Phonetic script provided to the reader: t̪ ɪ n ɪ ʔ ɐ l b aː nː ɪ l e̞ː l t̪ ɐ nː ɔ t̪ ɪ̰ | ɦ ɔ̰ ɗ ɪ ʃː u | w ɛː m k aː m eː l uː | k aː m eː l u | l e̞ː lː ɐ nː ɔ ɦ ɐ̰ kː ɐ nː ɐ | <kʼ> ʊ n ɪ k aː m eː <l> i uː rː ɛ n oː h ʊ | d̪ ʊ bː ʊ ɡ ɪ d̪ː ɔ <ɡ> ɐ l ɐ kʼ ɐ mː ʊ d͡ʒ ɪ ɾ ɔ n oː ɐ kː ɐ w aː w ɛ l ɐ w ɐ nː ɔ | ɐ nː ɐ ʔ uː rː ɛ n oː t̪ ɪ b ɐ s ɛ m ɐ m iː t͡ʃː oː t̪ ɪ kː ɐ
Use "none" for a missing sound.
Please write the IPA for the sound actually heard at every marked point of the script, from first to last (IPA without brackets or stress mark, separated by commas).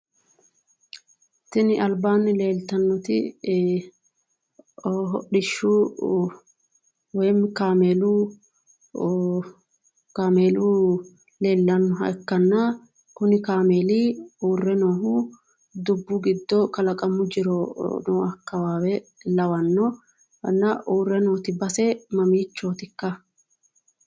k, l, k